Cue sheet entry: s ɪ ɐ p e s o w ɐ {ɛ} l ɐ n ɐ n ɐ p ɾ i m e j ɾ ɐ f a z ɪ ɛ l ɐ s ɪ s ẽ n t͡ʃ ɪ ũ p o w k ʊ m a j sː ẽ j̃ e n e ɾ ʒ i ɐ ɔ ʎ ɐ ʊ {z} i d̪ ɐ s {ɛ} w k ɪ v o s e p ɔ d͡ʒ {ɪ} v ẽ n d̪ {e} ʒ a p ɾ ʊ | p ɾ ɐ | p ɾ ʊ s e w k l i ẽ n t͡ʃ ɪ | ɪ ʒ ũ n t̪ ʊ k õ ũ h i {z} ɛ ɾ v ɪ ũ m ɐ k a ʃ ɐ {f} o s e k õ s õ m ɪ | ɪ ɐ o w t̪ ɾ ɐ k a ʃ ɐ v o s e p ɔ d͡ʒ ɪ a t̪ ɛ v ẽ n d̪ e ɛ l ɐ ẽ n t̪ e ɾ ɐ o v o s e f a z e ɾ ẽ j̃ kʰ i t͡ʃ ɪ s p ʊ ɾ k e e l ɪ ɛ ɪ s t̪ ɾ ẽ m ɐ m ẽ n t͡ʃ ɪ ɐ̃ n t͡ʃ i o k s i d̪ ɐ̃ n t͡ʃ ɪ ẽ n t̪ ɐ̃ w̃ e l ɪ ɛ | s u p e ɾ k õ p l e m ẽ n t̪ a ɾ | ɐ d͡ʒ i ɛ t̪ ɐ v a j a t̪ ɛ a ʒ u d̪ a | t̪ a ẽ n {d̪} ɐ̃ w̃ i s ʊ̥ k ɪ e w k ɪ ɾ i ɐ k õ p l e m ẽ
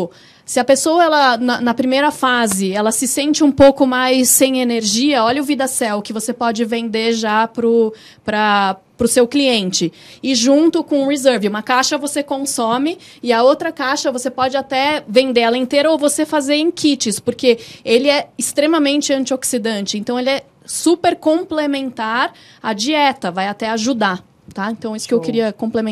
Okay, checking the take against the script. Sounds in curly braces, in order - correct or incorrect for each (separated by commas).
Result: correct, incorrect, correct, correct, correct, correct, incorrect, incorrect